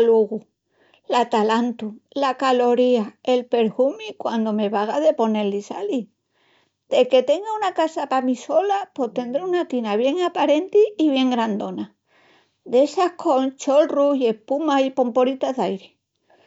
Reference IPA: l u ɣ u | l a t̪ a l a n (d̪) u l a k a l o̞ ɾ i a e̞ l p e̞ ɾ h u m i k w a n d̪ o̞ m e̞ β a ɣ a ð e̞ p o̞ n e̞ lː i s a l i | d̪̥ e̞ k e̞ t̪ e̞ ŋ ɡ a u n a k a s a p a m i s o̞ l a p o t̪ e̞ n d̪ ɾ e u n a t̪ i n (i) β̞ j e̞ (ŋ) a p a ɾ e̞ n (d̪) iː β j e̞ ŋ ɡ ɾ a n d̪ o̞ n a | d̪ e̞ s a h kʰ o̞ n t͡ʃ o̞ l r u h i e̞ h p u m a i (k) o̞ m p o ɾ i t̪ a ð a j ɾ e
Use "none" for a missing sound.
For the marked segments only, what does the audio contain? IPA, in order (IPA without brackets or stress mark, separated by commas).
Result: t̪, a, ŋ, t̪, p